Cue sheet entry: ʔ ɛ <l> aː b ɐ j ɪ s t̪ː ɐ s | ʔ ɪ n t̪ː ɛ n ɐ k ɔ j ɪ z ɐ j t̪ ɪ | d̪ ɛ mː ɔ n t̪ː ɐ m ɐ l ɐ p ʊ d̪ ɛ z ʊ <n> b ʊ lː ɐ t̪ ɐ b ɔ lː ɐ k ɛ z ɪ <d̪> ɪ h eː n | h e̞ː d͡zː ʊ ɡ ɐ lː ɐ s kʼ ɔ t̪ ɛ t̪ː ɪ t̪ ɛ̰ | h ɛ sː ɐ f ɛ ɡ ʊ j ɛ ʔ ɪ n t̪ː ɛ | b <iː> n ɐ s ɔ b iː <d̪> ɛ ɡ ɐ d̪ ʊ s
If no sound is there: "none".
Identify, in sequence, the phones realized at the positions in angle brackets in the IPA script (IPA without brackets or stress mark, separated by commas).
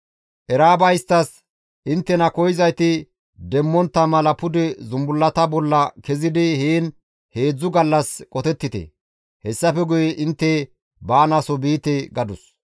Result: ɾ, m, d̪, aː, t̪